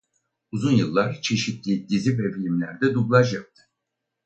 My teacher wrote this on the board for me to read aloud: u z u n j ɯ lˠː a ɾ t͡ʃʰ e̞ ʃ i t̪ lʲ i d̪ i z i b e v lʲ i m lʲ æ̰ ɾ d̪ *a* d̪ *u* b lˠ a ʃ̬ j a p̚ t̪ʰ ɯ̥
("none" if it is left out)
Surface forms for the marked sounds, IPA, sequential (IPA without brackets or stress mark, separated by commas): ɛ, u